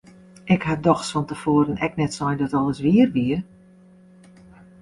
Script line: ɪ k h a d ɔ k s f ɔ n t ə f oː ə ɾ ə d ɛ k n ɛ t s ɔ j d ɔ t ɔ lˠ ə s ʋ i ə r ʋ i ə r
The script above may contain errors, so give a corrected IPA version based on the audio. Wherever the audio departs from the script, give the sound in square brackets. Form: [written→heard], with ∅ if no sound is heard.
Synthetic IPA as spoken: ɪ k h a d ɔ [k→x] s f ɔ n t ə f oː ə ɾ ə [d→n] ɛ k n ɛ t s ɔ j d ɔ t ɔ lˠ ə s ʋ i ə r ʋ i ə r